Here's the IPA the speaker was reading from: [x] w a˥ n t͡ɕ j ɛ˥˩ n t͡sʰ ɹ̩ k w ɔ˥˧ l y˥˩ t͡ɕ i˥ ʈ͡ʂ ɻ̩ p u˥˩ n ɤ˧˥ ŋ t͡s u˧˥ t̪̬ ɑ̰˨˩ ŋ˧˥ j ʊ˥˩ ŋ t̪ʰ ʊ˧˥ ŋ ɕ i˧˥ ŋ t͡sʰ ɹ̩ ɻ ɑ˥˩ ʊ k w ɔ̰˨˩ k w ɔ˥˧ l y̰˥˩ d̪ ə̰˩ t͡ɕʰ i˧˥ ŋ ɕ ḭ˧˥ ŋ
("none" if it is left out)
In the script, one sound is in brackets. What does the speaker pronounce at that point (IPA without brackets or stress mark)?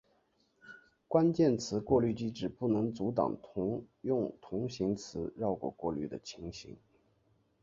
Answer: k